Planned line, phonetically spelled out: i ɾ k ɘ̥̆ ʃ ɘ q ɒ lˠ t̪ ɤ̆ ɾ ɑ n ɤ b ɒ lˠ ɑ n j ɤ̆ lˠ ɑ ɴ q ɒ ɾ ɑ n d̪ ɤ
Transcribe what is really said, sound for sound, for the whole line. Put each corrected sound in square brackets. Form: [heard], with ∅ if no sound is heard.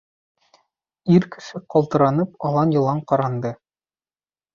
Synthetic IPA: i ɾ k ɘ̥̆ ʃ ɘ q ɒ lˠ t̪ ɤ̆ ɾ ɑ n ɤ [p] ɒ lˠ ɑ n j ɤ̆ lˠ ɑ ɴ q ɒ ɾ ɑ n d̪ ɤ